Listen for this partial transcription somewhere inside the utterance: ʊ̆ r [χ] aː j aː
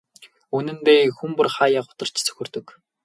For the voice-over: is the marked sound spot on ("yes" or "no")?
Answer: yes